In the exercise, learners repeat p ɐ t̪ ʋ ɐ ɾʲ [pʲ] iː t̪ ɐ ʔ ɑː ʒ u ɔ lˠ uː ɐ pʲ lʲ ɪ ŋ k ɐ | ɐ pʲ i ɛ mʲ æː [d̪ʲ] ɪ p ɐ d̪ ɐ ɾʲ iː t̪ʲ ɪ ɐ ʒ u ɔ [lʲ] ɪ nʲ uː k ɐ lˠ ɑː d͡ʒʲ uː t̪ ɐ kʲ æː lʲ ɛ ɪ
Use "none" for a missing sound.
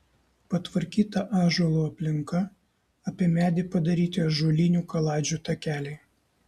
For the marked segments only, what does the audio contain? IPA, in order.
kʲ, d̪ʲ, lʲ

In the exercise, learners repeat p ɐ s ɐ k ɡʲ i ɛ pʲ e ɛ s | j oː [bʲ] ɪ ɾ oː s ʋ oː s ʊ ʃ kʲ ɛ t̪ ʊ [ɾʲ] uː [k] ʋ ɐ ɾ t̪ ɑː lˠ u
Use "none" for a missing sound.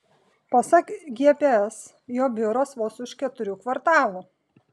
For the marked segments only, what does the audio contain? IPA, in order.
bʲ, ɾʲ, k

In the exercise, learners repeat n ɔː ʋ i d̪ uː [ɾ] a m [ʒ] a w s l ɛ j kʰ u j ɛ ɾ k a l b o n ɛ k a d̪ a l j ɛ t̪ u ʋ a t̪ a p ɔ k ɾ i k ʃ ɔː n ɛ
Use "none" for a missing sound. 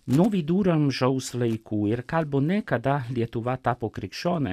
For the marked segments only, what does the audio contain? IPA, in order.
ɾ, ʒ

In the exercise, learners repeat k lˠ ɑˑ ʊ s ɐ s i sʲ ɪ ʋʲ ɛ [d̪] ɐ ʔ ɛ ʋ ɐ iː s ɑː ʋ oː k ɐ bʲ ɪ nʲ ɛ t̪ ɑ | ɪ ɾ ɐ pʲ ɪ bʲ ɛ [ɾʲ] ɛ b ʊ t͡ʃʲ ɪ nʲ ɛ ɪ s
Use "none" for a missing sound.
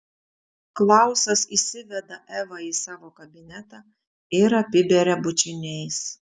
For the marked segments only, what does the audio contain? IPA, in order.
d̪, ɾʲ

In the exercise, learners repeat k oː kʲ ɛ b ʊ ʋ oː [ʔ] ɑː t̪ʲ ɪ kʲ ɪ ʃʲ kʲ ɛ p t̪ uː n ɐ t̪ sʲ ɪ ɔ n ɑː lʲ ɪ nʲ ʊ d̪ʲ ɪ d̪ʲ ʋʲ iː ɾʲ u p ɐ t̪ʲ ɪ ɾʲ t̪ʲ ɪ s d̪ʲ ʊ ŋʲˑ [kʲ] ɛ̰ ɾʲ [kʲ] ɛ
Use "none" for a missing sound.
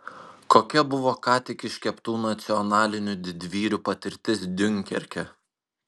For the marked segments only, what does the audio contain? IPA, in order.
k, kʲ, kʲ

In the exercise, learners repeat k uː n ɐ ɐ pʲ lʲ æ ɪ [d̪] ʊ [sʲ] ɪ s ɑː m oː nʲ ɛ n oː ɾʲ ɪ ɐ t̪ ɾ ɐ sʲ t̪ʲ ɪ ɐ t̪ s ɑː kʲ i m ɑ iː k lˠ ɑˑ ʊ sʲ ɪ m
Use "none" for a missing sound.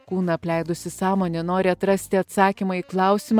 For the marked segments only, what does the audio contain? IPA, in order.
d̪, sʲ

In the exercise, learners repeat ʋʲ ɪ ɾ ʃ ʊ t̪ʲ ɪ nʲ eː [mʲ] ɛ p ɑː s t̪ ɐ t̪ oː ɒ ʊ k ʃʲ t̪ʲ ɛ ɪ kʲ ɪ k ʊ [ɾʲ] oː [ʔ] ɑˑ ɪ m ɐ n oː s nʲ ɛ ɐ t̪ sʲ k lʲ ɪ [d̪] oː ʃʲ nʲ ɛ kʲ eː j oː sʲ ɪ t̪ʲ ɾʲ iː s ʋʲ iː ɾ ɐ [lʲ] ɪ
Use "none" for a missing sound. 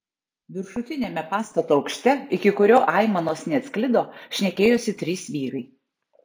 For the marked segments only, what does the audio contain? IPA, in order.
mʲ, ɾʲ, ʔ, d̪, none

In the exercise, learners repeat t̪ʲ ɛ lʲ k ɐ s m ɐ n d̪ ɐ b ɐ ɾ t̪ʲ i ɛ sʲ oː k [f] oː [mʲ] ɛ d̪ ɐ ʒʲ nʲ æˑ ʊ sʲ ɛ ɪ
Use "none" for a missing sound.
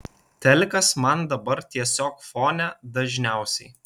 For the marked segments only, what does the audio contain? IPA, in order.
f, nʲ

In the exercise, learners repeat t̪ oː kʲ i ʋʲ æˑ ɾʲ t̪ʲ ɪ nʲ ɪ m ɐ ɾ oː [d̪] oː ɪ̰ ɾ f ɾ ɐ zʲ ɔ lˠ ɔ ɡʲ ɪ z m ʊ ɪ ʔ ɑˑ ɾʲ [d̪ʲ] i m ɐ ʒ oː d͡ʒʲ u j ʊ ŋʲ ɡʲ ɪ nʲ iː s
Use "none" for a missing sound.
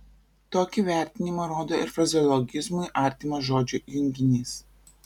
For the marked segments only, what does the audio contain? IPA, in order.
d̪, t̪ʲ

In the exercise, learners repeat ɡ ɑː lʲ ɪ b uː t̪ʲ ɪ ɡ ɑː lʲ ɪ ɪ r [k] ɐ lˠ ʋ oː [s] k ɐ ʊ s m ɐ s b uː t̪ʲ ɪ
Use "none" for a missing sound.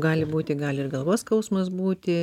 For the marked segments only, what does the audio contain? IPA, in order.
ɡ, s

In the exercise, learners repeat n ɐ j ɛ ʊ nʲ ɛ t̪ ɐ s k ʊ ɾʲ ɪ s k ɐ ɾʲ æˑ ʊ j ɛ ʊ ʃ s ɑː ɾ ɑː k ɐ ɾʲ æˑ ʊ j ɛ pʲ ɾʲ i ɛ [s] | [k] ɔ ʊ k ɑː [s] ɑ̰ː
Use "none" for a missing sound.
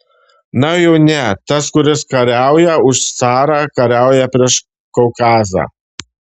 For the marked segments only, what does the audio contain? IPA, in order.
ʃ, k, z

